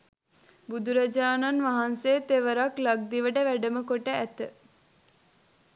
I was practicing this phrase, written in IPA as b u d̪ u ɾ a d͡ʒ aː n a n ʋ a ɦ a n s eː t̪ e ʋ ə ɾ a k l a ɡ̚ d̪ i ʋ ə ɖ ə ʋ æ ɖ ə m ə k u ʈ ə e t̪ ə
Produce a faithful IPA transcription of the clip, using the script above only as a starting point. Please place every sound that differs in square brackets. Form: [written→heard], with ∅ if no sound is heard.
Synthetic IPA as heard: b u d̪ u ɾ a d͡ʒ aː n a n ʋ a ɦ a n s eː t̪ e ʋ ə ɾ a k l a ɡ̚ d̪ i ʋ ə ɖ ə ʋ æ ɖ ə m ə k [u→o] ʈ ə [e→æ] t̪ ə